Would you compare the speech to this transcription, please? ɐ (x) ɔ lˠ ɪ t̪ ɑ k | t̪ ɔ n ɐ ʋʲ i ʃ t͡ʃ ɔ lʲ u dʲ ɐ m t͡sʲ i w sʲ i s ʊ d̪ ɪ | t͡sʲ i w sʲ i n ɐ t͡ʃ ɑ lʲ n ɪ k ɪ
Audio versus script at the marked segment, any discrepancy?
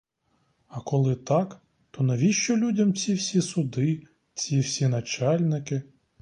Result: yes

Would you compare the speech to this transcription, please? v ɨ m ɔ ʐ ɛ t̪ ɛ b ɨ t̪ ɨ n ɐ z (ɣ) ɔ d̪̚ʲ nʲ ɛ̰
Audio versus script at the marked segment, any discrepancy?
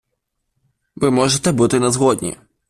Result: no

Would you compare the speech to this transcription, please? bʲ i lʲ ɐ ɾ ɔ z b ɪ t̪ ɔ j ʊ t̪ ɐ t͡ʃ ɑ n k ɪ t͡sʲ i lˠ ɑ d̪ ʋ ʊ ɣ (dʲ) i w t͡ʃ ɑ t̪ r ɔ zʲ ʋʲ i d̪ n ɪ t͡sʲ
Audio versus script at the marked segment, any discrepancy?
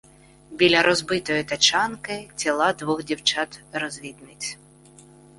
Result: no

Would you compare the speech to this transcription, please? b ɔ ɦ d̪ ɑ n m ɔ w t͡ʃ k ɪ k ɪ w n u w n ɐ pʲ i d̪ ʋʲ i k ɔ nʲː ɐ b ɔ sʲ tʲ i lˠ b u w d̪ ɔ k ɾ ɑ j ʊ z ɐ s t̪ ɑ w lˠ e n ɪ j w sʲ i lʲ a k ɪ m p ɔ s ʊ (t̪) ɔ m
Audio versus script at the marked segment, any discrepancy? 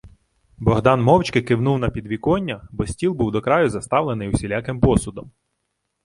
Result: yes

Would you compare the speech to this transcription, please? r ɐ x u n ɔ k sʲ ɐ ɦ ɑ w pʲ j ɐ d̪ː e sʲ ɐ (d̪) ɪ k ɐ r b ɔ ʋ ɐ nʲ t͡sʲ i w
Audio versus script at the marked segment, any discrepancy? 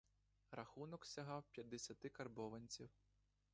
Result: yes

